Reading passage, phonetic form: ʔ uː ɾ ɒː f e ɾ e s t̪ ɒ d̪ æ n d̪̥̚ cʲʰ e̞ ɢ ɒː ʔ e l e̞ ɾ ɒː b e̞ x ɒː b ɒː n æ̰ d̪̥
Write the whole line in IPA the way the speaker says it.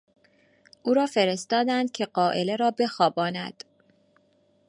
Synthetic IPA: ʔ uː ɾ ɒː f e ɾ e s t̪ ɒː d̪ æ n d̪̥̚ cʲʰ e̞ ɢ ɒː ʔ e l e̞ ɾ ɒː b e̞ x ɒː b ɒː n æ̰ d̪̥